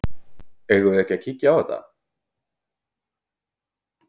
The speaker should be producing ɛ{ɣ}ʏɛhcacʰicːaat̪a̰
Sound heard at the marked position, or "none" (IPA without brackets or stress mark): ɣ